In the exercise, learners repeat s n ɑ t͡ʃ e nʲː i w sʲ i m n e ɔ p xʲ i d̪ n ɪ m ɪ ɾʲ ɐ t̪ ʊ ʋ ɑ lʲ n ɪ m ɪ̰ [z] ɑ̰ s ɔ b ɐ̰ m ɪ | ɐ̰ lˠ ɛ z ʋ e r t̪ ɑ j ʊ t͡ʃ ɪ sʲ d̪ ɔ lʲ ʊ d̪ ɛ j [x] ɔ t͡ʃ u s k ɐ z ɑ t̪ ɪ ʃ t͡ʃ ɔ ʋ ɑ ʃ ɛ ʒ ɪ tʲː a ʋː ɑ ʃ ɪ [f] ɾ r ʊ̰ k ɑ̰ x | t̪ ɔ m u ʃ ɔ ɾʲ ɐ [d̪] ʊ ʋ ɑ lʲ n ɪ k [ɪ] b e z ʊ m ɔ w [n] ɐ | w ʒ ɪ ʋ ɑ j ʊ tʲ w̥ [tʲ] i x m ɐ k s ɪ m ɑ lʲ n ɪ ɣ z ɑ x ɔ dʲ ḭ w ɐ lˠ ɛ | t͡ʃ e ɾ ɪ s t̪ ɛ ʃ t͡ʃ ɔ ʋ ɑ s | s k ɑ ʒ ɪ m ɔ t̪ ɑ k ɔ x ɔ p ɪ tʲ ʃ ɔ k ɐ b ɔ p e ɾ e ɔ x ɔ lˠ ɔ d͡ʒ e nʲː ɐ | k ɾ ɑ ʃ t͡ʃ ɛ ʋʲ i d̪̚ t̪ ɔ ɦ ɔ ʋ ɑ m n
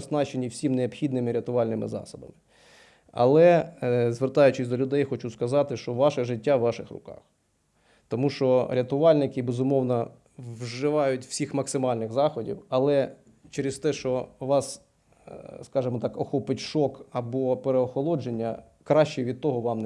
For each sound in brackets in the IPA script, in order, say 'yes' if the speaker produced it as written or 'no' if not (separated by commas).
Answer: yes, yes, no, no, yes, yes, no